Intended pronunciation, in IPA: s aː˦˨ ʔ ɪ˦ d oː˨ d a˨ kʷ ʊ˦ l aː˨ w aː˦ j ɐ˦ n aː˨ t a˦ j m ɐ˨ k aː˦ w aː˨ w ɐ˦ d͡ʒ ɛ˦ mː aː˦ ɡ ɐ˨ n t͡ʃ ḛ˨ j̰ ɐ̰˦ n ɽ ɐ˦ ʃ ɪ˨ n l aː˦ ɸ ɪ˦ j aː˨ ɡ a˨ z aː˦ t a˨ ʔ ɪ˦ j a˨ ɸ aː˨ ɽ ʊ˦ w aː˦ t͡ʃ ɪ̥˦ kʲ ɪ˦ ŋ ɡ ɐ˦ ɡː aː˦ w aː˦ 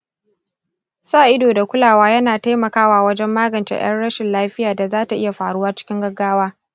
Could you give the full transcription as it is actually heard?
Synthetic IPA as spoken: s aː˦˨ ʔ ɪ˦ d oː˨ d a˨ kʷ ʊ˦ l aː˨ w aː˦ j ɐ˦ n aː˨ t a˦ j m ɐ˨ k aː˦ w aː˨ w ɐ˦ d͡ʒ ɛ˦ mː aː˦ ɡ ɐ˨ n t͡ʃ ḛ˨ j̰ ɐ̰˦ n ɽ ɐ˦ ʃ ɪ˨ n l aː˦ ɸ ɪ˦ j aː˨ d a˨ z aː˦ t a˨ ʔ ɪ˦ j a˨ ɸ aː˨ ɽ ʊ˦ w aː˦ t͡ʃ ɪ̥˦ kʲ ɪ˦ ŋ ɡ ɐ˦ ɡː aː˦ w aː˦